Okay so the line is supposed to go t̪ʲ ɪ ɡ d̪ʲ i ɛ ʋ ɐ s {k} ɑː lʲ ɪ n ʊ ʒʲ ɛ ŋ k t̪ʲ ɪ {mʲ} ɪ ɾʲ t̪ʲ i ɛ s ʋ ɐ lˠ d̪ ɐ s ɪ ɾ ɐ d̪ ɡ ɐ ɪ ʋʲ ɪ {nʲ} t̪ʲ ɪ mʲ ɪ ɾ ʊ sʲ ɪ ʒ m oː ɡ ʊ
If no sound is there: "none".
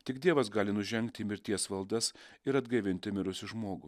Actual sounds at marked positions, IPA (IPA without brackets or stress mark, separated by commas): ɡ, mʲ, nʲ